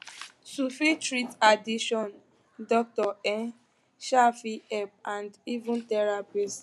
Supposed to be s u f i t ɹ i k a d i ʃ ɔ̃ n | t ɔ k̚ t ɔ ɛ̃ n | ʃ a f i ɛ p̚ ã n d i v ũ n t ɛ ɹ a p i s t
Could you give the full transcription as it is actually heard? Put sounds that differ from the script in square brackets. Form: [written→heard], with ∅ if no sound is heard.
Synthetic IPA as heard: s u f i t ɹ i [k→t] a d i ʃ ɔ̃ n | [t→d] ɔ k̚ t ɔ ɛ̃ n | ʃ a f i ɛ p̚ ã n d i v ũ n t ɛ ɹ a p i s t